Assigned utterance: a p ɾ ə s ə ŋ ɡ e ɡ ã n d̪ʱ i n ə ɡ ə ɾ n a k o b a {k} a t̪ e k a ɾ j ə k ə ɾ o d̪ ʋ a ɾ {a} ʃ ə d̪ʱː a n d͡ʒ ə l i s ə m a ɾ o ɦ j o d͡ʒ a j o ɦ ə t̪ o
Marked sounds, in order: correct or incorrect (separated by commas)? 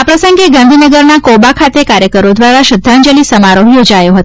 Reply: incorrect, correct